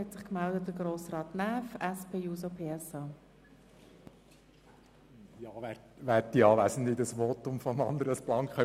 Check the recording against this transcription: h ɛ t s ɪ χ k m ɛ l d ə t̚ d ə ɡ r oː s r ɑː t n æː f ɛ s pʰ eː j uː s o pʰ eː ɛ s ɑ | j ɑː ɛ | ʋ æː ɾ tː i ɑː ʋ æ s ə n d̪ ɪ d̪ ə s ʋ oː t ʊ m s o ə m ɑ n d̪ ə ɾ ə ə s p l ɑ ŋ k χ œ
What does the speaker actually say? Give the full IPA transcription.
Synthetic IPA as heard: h ɛ t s ɪ χ k m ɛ l d ə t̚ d ə ɡ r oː s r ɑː t n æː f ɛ s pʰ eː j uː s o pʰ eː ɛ s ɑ | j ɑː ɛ | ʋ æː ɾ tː i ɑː ʋ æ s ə n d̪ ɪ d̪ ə s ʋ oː t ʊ m f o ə m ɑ n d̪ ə ɾ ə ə s p l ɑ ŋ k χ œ